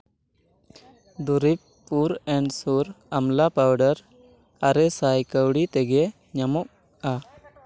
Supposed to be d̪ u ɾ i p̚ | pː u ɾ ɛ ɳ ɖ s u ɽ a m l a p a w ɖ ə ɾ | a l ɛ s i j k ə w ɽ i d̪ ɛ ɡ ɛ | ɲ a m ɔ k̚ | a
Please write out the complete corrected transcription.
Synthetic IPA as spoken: d̪ u ɾ i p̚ | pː u ɾ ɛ ɳ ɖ s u ɾ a m l a p a w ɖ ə ɾ | a ɾ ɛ s a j k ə w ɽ i t̪ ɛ ɡ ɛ | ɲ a m ɔ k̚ | a